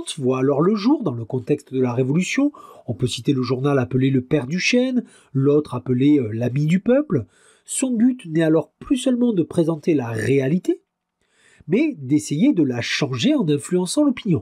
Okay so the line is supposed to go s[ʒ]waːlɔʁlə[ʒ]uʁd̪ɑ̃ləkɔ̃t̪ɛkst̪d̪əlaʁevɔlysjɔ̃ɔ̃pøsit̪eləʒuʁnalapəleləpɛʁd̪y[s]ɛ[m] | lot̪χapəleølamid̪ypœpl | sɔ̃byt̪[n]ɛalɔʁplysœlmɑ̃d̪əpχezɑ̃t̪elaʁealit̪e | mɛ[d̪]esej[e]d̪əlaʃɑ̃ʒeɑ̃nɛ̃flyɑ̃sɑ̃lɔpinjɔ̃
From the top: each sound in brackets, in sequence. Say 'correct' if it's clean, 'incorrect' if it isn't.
incorrect: v, correct, incorrect: ʃ, incorrect: n, correct, correct, correct

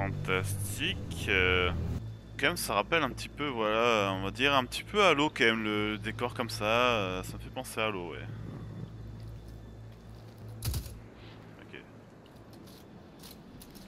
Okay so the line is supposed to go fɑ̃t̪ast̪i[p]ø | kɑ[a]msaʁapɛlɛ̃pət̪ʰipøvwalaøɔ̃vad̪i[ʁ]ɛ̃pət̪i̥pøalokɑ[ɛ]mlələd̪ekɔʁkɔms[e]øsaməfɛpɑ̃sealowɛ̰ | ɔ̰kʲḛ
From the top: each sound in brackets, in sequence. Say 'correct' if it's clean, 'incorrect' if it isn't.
incorrect: k, incorrect: ɛ, correct, correct, incorrect: a

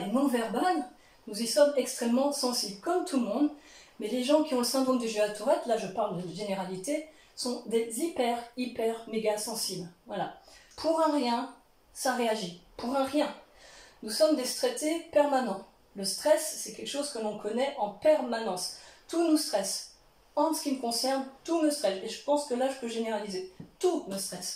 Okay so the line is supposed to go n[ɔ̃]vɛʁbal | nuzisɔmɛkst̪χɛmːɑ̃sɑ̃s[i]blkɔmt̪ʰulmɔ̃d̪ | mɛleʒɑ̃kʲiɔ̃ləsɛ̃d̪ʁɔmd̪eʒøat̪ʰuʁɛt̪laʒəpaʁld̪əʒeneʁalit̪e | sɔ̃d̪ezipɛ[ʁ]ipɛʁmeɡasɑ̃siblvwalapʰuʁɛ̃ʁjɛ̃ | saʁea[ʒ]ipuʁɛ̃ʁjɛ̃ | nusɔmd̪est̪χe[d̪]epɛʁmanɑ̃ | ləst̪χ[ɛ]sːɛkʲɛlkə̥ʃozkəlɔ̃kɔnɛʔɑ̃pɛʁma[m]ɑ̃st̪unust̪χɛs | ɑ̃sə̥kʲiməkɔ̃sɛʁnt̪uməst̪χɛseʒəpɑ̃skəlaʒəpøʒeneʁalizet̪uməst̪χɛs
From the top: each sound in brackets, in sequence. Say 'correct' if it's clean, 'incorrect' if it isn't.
correct, correct, correct, correct, incorrect: t̪, correct, incorrect: n

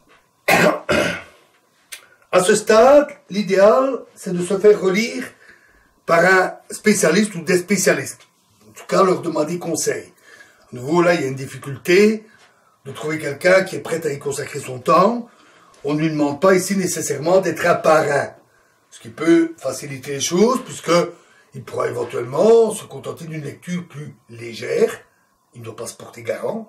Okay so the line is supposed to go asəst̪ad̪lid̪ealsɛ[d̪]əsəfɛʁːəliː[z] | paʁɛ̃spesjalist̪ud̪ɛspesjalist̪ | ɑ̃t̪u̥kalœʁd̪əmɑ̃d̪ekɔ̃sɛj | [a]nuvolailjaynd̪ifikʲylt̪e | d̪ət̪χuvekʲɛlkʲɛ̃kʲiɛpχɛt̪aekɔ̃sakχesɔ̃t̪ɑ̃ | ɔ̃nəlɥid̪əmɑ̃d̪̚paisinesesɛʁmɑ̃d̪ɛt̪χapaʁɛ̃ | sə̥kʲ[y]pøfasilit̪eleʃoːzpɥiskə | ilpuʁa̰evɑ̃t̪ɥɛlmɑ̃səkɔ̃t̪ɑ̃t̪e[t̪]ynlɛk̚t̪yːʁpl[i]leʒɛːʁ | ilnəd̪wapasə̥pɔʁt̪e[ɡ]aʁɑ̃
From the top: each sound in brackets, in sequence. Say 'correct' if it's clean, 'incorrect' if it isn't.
correct, incorrect: ʁ, correct, incorrect: i, incorrect: d̪, incorrect: y, correct

